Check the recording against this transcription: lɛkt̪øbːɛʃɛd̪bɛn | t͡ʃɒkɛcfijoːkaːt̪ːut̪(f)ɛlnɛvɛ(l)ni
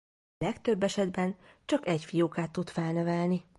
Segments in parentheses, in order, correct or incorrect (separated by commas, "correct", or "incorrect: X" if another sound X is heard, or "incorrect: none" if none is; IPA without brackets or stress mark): correct, correct